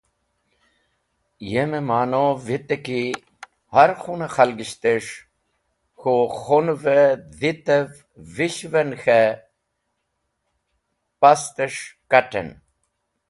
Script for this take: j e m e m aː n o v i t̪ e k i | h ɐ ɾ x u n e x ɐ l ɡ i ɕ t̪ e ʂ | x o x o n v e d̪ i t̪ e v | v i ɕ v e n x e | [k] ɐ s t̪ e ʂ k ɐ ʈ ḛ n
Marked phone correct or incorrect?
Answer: incorrect